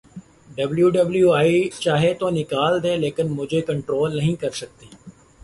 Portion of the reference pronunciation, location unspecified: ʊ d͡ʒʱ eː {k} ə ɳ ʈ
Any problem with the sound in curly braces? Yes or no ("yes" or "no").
no